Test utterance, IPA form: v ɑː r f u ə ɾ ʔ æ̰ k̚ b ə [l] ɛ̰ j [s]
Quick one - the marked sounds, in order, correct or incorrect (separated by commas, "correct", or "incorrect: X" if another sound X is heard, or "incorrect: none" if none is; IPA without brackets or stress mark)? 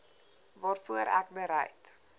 incorrect: ɾ, incorrect: t